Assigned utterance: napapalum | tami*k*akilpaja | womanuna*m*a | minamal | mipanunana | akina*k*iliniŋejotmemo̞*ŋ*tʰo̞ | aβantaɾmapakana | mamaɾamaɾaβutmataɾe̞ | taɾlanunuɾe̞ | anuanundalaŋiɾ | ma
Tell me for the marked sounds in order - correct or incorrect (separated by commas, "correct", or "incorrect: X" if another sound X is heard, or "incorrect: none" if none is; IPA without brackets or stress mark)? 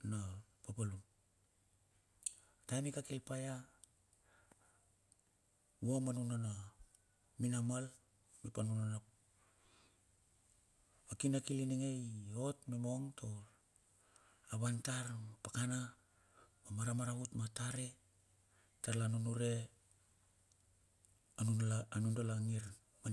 correct, incorrect: n, correct, correct